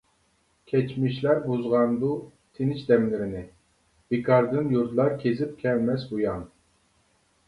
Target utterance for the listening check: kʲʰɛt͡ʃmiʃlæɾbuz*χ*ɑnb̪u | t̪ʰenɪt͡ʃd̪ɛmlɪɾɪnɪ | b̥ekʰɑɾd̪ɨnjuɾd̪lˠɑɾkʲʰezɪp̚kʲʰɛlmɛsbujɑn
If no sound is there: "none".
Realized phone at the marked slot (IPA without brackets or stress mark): ʁ